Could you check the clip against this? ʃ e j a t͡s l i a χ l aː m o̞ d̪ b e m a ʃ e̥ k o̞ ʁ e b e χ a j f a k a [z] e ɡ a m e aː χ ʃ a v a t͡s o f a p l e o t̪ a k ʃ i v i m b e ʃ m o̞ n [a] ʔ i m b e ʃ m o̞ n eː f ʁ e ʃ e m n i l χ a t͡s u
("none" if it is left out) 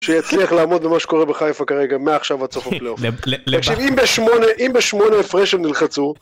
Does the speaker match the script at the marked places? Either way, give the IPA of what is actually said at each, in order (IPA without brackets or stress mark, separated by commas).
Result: ʁ, e